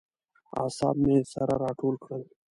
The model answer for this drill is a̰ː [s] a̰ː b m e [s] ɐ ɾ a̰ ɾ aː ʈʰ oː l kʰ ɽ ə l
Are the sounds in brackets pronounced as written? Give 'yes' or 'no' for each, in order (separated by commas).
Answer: yes, yes